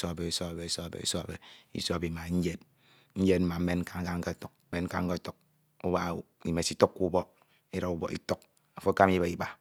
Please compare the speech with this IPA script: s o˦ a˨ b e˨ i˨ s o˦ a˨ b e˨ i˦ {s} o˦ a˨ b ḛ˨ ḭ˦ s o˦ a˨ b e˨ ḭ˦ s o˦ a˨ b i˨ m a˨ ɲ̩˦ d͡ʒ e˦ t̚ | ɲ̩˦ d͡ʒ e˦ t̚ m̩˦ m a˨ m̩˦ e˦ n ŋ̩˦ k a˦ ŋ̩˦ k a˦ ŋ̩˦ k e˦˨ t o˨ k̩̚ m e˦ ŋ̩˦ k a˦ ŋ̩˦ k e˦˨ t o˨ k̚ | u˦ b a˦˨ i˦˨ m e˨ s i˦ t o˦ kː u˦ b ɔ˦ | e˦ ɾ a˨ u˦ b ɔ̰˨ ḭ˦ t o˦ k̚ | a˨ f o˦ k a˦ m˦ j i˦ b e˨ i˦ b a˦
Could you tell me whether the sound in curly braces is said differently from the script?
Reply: no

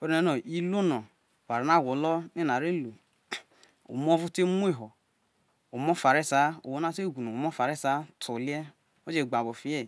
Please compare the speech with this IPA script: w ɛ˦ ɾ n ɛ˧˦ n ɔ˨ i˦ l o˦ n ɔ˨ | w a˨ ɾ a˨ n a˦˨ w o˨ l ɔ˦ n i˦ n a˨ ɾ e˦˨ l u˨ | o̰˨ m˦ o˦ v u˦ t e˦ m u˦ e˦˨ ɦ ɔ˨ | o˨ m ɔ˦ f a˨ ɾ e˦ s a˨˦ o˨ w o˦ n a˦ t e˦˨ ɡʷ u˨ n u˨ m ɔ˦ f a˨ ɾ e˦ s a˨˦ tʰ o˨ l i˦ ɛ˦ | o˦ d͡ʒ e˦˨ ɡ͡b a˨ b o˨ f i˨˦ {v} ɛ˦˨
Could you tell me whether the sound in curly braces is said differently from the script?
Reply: yes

